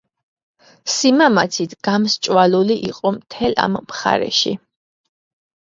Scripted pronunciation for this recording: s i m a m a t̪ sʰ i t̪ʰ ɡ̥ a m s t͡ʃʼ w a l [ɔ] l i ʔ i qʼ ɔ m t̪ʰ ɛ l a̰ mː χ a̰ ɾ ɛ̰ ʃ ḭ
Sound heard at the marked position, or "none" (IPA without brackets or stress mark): u